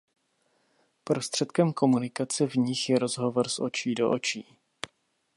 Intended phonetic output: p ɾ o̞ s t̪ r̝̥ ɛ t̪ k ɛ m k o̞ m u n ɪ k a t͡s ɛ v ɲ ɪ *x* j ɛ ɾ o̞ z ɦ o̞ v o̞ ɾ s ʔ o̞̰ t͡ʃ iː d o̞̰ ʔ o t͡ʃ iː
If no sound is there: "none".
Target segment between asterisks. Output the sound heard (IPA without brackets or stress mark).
x